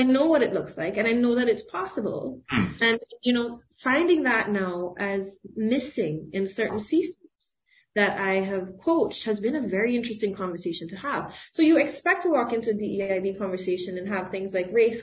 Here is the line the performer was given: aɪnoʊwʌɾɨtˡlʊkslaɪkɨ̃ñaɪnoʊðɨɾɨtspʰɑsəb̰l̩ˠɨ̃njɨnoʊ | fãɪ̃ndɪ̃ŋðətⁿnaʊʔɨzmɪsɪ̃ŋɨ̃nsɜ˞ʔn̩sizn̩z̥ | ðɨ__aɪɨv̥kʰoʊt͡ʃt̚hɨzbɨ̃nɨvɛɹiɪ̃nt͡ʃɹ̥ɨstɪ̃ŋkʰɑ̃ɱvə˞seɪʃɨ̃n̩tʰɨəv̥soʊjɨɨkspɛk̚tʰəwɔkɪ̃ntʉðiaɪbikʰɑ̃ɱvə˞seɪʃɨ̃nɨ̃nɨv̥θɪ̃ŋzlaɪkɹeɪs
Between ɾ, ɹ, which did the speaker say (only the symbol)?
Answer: ɾ